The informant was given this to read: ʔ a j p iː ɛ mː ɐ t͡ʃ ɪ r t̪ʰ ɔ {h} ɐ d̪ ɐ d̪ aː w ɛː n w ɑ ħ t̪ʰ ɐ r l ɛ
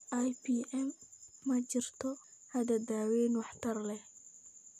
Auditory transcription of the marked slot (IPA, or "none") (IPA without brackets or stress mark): h